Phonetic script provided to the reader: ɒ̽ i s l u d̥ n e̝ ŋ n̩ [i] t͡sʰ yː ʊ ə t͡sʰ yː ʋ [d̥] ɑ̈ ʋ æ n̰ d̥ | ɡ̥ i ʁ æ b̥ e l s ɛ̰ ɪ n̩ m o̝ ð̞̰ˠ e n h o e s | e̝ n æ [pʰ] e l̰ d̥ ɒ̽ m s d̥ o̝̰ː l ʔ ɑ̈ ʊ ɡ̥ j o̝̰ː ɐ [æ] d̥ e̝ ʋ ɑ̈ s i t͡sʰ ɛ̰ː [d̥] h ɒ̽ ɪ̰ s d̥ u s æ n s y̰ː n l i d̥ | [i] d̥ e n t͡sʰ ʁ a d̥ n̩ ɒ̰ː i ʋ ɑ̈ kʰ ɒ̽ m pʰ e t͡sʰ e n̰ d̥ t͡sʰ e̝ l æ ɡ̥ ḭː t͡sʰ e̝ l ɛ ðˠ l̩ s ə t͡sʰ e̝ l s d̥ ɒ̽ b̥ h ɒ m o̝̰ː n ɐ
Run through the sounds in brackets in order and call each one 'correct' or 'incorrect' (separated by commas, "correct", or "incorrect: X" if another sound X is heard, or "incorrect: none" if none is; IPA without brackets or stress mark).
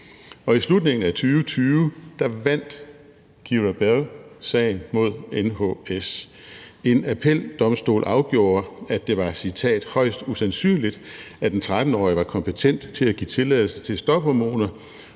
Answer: incorrect: æ, correct, correct, correct, correct, incorrect: æ